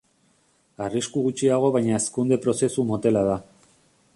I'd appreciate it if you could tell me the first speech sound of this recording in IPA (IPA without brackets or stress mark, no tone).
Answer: a